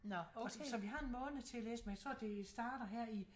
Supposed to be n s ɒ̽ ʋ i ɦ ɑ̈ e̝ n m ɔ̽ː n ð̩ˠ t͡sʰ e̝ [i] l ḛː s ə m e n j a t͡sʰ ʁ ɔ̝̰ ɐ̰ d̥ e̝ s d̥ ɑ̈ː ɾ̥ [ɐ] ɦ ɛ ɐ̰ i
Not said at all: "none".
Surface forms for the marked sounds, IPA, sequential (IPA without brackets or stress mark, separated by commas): æ, ɐ